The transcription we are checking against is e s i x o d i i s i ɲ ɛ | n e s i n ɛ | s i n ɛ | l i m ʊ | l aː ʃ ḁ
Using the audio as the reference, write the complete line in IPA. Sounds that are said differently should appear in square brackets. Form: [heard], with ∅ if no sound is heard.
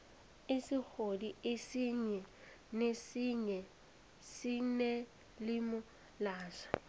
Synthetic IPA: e s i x o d i [e] s i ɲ ɛ | n e s i [ɲ] ɛ | s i n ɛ | l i m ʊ | l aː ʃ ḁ